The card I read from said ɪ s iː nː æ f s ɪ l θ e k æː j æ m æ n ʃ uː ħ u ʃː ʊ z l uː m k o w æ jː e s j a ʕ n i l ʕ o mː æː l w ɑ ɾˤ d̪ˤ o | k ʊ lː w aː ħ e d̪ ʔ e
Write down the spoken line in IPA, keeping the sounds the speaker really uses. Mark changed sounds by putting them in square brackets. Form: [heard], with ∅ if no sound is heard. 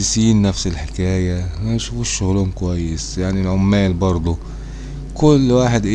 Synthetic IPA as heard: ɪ s iː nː æ f s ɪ l [ħ] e k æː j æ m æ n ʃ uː [f] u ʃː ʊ [ɣ] l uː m k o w æ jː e s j a ʕ n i l ʕ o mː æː l [b] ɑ ɾˤ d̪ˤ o | k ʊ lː w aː ħ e d̪ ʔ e

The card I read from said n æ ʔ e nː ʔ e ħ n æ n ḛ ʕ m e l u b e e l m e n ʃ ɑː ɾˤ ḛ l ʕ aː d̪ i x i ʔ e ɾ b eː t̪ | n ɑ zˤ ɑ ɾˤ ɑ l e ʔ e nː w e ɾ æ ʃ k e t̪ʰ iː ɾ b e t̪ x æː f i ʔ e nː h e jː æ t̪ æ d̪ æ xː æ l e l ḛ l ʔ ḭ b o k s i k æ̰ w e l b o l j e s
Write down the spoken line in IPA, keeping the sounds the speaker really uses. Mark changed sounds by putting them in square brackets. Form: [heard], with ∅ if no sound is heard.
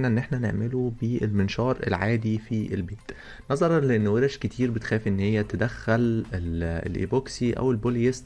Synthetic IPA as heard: n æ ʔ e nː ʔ e ħ n æ n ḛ ʕ m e l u b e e l m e n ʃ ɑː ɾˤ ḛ l ʕ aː d̪ i [f] i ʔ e [l] b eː t̪ | n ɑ zˤ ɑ ɾˤ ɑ l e ʔ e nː w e ɾ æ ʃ k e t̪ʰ iː ɾ b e t̪ x æː f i ʔ e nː h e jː æ t̪ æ d̪ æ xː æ l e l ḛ l ʔ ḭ b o k s i [ʔ] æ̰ w e l b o l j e s

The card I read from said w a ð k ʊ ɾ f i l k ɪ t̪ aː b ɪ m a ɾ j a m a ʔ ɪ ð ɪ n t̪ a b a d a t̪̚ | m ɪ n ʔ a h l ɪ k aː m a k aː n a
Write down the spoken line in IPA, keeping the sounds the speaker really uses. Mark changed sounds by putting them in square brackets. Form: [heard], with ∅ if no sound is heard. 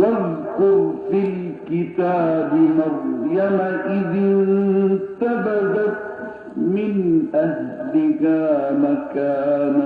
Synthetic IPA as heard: w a ð k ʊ ɾ f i l k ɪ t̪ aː b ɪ m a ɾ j a m a ʔ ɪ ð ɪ n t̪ a b a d a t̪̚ | m ɪ n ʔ a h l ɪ k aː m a k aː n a

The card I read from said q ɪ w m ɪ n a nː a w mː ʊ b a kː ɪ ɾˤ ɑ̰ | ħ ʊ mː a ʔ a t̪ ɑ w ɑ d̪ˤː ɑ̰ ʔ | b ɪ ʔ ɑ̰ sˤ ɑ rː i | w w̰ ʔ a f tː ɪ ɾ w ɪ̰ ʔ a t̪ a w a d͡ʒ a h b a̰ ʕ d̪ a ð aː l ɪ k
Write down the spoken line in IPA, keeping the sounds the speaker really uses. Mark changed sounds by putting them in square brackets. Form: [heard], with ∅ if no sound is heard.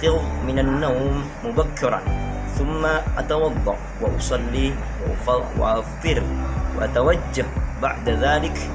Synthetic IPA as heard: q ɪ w m ɪ n a nː a w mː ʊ b a kː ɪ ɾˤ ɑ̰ | [θ] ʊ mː a ʔ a t̪ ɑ w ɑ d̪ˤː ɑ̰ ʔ | [w] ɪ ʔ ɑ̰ sˤ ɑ [lː] i | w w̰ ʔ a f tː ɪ ɾ w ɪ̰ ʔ a t̪ a w a [d͡ʒː] a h b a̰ ʕ d̪ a ð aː l ɪ k

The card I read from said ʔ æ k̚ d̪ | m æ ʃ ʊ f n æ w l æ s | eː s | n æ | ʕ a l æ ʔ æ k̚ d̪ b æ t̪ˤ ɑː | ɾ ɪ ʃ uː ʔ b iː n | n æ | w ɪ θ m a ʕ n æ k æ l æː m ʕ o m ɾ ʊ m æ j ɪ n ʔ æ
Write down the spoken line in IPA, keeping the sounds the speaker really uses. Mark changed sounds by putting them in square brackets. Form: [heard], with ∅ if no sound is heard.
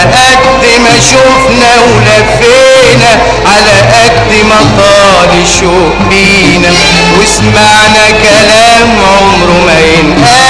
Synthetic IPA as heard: ʔ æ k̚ d̪ | m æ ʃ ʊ f n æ w l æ [f] | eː [∅] | n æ | ʕ a l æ ʔ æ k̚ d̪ [m] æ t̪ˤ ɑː | [l] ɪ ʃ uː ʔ b iː [∅] | n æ | w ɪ [s] m a ʕ n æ k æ l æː m ʕ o m ɾ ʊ m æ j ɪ n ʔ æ

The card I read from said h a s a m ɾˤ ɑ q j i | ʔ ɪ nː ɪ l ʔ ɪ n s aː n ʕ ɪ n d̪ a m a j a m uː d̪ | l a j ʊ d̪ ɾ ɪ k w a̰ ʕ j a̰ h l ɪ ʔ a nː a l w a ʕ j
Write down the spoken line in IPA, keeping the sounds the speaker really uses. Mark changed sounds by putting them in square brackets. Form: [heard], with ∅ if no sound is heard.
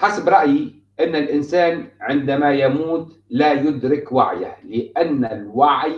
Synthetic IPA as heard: [ħ] a s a [b] ɾˤ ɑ [ʔ] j i | ʔ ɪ nː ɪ l ʔ ɪ n s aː n ʕ ɪ n d̪ a m a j a m uː [t̪] | l a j ʊ d̪ ɾ ɪ k w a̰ ʕ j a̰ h l ɪ ʔ a nː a l w a ʕ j

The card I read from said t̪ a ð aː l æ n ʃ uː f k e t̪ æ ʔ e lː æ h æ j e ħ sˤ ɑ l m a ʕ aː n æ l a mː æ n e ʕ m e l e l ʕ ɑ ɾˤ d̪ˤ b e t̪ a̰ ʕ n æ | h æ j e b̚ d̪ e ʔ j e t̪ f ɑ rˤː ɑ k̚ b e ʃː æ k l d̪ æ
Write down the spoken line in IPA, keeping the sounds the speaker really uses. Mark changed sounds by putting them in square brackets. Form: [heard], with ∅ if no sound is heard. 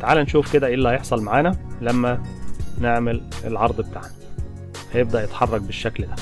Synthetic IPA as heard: t̪ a [ʕ] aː l æ n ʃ uː f k e [d̪] æ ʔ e lː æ h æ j e ħ sˤ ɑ l m a ʕ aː n æ l [æ] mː æ n e ʕ m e l e l ʕ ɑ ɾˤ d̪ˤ b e t̪ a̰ ʕ n æ | h æ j e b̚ d̪ [æ] ʔ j e t̪ [ħ] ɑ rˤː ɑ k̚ b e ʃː æ k l d̪ æ

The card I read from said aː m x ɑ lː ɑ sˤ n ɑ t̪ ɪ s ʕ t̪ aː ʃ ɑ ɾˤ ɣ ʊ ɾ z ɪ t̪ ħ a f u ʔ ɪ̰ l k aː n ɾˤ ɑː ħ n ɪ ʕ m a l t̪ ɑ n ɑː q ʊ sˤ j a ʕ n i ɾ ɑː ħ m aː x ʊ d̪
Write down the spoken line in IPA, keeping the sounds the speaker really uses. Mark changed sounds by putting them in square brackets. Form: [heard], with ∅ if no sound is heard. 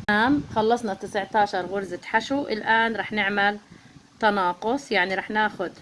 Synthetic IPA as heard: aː m x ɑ lː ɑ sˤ n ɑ t̪ ɪ s ʕ t̪ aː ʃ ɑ ɾˤ ɣ ʊ ɾ z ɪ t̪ ħ a [ʃ] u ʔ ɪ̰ l [ʔ] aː n ɾˤ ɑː ħ n ɪ ʕ m a l t̪ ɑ n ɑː q ʊ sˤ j a ʕ n i ɾ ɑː ħ [n] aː x ʊ d̪

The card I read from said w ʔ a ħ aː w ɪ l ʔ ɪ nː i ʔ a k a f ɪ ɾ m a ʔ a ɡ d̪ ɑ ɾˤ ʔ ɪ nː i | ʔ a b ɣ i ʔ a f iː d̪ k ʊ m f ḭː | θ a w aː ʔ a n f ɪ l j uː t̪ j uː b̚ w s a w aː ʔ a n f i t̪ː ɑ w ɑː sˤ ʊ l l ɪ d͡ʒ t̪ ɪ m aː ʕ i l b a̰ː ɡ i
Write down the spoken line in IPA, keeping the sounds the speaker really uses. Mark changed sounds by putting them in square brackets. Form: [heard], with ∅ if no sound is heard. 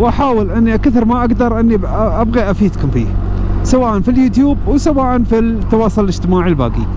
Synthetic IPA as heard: w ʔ a ħ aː w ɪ l ʔ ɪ nː i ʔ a k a [θ] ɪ ɾ m a ʔ a ɡ d̪ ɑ ɾˤ ʔ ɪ nː i | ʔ a b ɣ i ʔ a f iː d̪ k ʊ m f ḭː | [s] a w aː ʔ a n f [i] l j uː t̪ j uː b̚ w s a w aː ʔ a n f i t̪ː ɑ w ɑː sˤ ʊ l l ɪ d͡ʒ t̪ ɪ m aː ʕ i l b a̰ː ɡ i

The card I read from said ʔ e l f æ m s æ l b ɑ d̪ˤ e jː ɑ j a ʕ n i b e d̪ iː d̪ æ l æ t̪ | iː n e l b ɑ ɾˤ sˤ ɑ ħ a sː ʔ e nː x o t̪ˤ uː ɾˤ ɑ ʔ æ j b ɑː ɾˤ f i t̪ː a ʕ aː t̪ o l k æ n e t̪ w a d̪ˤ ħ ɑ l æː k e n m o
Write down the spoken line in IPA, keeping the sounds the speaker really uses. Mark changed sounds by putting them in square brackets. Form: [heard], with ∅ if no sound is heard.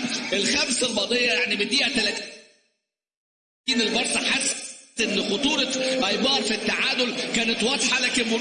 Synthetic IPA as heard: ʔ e l [x] æ m s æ l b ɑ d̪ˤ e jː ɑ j a ʕ n i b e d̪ iː [t̪] æ l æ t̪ | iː n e l b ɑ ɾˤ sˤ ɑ ħ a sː ʔ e nː x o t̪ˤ uː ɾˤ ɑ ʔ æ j b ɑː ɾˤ f i t̪ː a ʕ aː [d̪] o l k [æː] n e t̪ w [ɑ] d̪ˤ ħ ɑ l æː k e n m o

